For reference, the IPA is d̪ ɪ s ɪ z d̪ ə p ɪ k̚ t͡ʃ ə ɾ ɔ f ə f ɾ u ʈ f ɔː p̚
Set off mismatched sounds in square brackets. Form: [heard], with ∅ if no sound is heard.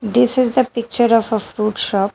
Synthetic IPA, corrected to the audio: d̪ ɪ s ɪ z d̪ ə p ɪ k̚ t͡ʃ ə ɾ ɔ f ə f ɾ u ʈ [ʃ] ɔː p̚